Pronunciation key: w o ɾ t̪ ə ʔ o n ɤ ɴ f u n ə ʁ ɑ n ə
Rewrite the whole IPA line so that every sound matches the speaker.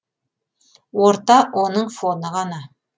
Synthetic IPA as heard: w o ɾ t̪ ɑ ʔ o n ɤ ɴ f o n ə ʁ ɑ n ɑ